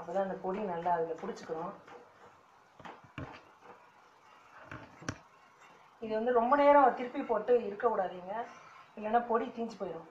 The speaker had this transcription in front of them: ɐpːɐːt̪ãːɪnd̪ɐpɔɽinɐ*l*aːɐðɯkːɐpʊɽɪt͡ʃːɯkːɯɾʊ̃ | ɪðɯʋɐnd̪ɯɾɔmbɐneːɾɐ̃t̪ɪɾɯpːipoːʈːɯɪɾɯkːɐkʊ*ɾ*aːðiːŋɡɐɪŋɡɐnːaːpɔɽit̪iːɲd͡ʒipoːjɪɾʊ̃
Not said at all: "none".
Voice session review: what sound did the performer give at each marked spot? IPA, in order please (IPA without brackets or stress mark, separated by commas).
lː, ɽ